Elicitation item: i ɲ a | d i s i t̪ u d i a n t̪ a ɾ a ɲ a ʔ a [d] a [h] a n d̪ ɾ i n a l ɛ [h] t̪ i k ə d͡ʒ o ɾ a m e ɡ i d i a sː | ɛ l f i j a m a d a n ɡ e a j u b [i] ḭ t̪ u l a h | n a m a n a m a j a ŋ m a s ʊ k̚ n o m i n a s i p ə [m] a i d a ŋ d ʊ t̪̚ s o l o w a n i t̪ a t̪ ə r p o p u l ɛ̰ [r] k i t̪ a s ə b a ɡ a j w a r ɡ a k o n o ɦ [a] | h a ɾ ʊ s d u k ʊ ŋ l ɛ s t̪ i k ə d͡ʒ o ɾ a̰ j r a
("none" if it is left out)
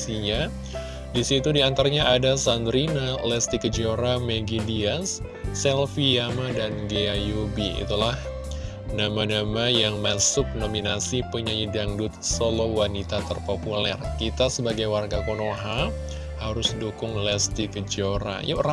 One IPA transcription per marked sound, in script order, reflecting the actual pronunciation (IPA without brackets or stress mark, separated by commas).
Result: d, s, s, i, ɲ, r, a